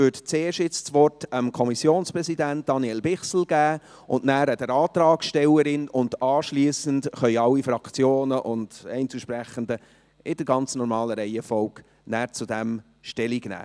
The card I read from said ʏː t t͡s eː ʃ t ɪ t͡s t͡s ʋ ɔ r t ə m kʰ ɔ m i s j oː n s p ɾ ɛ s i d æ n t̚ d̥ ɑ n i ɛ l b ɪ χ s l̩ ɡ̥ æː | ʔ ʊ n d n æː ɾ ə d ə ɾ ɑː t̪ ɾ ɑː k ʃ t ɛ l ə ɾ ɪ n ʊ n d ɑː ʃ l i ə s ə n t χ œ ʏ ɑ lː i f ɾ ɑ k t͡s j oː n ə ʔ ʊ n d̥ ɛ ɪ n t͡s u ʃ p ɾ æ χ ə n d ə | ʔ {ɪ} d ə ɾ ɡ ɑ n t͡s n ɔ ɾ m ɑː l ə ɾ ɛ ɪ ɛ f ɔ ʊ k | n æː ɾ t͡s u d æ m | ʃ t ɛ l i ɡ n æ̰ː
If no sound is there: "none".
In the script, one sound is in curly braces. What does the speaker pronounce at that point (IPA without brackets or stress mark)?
ɪ